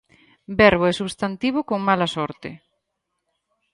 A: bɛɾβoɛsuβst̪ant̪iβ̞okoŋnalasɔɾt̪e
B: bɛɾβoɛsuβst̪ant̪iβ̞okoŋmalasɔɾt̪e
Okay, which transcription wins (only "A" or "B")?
B